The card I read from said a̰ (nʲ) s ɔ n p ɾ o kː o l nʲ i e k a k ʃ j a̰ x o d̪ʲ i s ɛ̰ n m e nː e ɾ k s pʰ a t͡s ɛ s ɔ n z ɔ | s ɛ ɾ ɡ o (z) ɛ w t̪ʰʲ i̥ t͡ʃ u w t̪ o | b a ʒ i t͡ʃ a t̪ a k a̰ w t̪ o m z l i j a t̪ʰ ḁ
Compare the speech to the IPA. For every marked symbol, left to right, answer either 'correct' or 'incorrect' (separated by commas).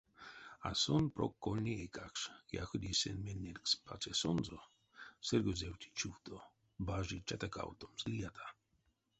incorrect, correct